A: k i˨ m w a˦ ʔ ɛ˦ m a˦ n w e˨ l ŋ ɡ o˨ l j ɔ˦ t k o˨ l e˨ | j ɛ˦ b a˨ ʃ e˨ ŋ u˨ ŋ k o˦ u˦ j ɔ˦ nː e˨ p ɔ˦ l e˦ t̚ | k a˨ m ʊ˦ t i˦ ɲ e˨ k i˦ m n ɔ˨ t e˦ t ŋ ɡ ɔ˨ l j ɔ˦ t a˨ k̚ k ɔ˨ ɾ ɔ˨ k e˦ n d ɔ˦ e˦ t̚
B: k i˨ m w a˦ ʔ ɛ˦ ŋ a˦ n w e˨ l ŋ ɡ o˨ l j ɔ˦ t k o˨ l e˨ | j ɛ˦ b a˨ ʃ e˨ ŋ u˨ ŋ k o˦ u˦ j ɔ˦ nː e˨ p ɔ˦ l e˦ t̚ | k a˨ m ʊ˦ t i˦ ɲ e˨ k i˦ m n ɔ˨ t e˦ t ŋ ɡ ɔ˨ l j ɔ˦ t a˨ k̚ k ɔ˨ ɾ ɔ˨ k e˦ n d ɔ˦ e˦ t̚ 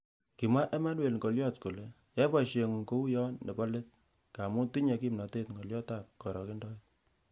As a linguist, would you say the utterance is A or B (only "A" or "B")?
A